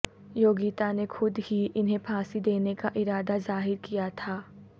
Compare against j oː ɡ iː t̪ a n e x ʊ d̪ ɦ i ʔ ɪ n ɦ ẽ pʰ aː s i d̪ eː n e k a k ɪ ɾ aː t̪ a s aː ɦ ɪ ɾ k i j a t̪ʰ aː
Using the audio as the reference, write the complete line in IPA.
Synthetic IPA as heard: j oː ɡ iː t̪ a n e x ʊ d̪ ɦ i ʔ ɪ n ɦ ẽ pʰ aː s i d̪ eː n e k a ʔ ɪ ɾ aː d̪ a z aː ɦ ɪ ɾ k i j a t̪ʰ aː

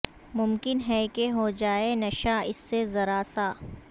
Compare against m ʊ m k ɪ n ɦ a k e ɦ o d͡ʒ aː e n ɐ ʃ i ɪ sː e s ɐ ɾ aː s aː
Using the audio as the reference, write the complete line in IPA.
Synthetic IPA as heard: m ʊ m k ɪ n ɦ ɛ k e ɦ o d͡ʒ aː e n ɐ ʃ a ɪ sː e z ɐ ɾ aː s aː

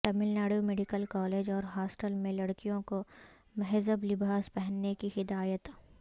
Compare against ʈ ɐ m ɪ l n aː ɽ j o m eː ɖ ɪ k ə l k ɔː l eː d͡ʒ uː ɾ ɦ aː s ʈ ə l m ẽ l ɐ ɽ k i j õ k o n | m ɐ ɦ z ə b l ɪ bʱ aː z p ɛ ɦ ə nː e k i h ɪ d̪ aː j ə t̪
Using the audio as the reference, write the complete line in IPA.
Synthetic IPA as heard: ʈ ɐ m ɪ l n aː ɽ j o m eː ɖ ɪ k ə l k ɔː l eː d͡ʒ ɔː ɾ ɦ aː s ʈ ə l m ẽ l ɐ ɽ k i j õ k o | m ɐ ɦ z ə b l ɪ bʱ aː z p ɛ ɦ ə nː e k i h ɪ d̪ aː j ə t̪

